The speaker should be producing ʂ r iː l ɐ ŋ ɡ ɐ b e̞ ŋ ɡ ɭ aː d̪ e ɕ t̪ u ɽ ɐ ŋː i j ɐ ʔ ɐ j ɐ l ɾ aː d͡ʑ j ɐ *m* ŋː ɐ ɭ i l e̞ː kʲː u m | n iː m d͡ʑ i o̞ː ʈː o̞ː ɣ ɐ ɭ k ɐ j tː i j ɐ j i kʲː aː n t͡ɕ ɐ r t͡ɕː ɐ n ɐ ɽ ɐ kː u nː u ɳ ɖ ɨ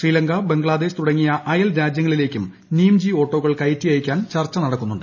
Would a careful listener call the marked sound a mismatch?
yes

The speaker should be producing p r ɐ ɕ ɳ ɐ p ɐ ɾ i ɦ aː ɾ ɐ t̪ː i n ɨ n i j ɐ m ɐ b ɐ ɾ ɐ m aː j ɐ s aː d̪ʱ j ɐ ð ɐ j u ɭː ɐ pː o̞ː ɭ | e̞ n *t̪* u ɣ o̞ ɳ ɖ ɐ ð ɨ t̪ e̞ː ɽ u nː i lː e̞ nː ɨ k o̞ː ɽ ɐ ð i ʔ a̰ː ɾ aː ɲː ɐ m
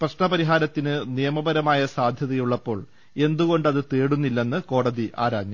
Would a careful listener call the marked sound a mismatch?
yes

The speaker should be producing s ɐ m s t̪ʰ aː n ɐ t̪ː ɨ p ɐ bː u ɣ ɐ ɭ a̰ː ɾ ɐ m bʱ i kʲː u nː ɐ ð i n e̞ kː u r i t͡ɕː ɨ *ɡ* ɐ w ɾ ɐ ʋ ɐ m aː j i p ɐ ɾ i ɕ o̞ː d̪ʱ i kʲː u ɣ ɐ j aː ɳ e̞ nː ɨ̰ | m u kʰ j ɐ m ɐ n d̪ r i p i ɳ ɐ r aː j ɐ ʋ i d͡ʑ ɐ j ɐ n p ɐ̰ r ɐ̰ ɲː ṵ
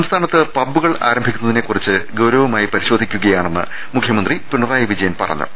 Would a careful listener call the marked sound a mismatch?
no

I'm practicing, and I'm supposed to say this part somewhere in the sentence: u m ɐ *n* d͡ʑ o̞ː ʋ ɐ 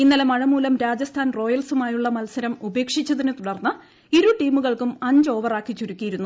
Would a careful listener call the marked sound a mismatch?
yes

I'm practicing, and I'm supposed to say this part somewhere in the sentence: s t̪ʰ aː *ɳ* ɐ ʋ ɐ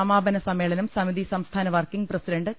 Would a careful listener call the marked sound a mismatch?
yes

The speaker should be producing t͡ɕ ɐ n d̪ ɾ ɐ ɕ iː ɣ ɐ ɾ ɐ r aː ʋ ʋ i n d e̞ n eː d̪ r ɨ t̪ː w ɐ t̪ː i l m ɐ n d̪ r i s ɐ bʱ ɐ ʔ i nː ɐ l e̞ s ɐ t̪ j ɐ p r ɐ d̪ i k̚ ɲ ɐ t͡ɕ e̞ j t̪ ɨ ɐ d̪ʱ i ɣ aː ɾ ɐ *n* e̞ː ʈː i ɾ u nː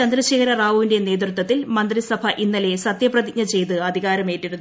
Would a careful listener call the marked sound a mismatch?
yes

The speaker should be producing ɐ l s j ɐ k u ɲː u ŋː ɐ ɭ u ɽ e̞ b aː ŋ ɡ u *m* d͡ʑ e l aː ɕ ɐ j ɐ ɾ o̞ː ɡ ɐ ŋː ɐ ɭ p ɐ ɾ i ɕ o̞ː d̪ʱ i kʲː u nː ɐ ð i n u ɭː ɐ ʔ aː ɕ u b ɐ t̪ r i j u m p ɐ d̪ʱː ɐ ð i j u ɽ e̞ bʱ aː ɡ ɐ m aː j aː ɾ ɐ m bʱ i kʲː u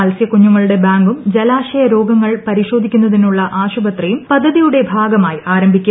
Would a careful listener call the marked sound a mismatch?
no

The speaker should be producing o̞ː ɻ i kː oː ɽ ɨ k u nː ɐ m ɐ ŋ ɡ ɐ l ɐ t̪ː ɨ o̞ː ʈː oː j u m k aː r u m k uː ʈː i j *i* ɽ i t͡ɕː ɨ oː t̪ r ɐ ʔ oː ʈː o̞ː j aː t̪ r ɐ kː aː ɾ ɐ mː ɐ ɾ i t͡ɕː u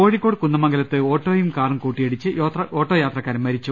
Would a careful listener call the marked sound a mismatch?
yes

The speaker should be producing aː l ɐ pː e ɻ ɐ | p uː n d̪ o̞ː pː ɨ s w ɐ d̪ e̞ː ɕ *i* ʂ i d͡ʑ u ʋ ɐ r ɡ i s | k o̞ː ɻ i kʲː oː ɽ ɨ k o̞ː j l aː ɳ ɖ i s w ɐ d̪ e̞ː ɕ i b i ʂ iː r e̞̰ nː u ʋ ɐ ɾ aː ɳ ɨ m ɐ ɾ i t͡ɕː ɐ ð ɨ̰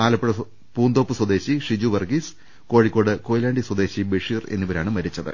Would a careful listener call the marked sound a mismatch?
no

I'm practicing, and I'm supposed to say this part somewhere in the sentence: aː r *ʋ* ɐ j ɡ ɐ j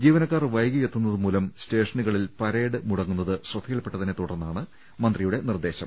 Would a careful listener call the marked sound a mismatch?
no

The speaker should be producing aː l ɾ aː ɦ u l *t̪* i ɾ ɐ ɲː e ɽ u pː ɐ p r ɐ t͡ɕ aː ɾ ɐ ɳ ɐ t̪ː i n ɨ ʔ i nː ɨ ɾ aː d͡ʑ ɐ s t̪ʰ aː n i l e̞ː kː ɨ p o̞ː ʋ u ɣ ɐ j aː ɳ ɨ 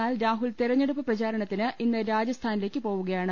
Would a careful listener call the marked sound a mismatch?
no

